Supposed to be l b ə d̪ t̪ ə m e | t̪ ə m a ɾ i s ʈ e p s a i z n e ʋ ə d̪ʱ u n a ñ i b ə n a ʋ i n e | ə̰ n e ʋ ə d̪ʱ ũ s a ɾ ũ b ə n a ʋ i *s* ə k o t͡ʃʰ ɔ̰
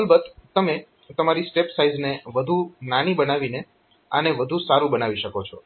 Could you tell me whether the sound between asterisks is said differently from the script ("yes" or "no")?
yes